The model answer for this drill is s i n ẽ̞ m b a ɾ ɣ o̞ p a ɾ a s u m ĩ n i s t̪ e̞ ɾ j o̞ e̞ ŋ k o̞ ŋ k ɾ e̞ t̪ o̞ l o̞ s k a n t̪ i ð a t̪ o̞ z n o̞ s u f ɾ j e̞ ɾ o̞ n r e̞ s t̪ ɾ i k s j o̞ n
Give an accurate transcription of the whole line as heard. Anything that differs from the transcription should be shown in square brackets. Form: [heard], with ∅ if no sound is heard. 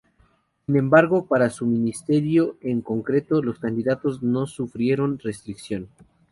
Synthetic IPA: s i n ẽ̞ m b a ɾ ɣ o̞ p a ɾ a s u m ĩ n i s t̪ e̞ ɾ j o̞ e̞ ŋ k o̞ ŋ k ɾ e̞ t̪ o̞ l o̞ s k a n [d̪] i ð a t̪ o̞ z n o̞ s u f ɾ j e̞ ɾ o̞ n r e̞ s t̪ ɾ i k s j o̞ n